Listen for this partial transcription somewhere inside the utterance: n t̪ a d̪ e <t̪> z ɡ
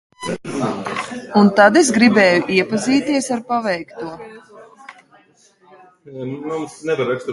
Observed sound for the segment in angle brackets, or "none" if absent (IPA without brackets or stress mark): none